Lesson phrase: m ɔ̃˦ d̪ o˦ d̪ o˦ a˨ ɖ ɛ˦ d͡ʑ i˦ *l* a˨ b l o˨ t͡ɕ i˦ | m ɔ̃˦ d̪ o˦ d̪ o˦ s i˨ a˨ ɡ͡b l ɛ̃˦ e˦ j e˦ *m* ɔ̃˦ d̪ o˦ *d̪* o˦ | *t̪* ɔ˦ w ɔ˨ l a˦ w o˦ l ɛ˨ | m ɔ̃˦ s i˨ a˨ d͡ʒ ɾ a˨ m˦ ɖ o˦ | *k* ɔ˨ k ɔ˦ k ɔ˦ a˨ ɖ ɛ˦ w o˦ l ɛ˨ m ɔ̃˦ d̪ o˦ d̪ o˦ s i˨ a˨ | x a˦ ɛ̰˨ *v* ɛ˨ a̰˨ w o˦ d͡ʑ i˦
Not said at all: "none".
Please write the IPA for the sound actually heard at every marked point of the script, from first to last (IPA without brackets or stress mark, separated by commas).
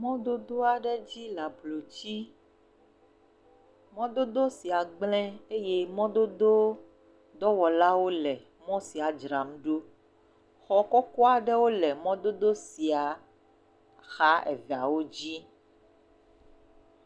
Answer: l, m, d̪, d̪, x, v